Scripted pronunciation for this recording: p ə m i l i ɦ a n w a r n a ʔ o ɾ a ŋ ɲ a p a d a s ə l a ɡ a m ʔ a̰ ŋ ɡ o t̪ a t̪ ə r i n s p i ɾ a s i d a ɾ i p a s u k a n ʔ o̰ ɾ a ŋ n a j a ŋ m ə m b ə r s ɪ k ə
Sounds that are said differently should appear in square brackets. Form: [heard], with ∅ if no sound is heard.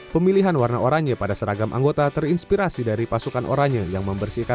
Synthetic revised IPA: p ə m i l i ɦ a n w a r n a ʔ o ɾ a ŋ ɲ a p a d a s ə [ɾ] a ɡ a m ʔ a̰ ŋ ɡ o t̪ a t̪ ə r i n s p i ɾ a s i d a ɾ i p a s u k a n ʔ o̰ ɾ a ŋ [ɲ] a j a ŋ m ə m b ə r s [i] k [a]